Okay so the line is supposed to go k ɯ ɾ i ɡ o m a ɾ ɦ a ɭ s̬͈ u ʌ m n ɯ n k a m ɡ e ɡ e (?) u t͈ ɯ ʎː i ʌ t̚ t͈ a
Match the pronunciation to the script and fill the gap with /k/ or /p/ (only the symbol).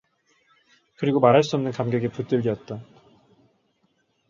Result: p